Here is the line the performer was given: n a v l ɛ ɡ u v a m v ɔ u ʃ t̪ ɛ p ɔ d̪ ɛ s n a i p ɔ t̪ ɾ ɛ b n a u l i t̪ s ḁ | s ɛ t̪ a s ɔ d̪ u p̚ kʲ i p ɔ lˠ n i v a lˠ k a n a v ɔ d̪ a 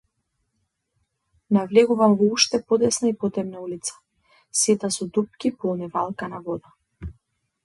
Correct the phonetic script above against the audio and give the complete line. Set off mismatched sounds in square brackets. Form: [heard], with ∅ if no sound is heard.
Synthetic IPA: n a v l ɛ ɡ u v a m v ɔ u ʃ t̪ ɛ p ɔ d̪ ɛ s n a i p ɔ t̪ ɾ ɛ b n a u l i t̪ s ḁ | s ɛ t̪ a s ɔ d̪ u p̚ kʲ i p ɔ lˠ n i v a lˠ k a n a v ɔ d̪ a